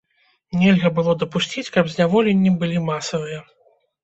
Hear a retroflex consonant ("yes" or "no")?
no